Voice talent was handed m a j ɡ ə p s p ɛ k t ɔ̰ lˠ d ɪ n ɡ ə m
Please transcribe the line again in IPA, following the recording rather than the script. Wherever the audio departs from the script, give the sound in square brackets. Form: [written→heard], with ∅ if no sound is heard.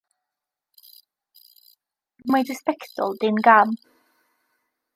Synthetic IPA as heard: m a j [ɡ→d] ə [p→∅] s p ɛ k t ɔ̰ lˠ d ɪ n ɡ [ə→a] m